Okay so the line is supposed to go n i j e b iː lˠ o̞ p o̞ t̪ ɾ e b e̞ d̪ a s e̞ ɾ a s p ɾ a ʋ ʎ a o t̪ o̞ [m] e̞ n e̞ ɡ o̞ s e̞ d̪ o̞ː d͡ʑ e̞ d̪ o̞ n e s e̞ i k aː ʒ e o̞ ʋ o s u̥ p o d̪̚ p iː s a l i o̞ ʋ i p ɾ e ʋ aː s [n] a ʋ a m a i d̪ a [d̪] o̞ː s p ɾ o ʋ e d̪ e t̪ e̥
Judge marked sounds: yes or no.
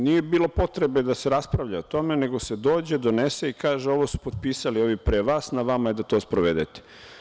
yes, yes, no

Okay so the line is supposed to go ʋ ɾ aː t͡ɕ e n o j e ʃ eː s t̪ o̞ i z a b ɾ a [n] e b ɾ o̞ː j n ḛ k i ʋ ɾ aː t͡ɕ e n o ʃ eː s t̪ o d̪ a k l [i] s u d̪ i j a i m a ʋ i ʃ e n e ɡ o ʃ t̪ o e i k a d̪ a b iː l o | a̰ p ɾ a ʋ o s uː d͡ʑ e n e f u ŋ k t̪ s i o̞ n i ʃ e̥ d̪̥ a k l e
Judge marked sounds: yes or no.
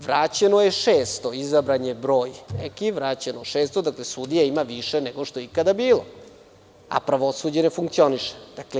no, no

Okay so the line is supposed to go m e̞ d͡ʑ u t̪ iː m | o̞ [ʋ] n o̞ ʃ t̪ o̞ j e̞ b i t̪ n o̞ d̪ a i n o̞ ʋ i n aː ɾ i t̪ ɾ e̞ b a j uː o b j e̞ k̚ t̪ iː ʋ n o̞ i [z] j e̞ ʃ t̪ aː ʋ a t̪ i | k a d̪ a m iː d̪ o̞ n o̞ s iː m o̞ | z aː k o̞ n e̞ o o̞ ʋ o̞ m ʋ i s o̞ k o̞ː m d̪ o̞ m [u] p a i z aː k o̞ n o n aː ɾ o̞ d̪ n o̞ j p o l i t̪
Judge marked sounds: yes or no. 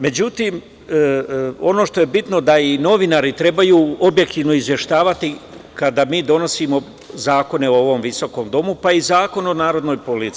no, yes, yes

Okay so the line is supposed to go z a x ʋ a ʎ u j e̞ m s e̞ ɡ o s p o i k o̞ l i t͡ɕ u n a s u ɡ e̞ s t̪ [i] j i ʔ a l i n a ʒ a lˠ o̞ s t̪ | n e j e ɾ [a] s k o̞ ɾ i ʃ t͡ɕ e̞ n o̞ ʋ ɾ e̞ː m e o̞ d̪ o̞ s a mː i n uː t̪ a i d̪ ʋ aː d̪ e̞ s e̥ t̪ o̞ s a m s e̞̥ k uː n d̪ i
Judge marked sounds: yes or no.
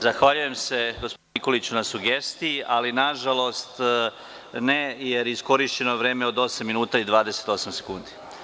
yes, no

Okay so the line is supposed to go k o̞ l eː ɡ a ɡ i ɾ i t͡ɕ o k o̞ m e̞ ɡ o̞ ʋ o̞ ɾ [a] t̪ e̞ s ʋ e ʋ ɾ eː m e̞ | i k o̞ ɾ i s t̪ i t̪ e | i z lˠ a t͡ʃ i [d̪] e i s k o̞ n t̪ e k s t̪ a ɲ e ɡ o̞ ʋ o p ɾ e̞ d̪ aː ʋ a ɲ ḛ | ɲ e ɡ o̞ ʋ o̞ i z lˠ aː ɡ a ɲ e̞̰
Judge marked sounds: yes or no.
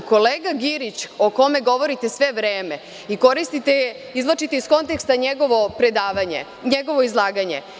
no, no

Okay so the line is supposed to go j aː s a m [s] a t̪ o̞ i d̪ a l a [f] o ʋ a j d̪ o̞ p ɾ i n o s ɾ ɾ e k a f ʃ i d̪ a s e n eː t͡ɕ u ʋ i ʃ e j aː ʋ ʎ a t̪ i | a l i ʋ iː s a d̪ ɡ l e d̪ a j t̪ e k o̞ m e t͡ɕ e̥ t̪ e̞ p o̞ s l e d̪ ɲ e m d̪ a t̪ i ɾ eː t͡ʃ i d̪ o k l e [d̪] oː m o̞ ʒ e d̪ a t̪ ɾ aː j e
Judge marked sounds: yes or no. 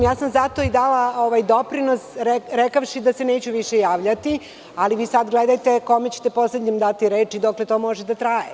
no, no, no

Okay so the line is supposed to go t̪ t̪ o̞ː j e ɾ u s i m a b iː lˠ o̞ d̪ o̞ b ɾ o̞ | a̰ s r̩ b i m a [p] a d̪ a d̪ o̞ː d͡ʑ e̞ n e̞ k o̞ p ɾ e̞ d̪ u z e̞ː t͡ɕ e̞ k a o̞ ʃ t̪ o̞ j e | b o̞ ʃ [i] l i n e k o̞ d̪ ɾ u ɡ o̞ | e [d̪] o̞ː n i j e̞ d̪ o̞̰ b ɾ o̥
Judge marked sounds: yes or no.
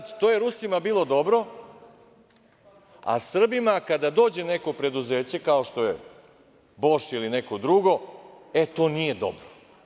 no, yes, no

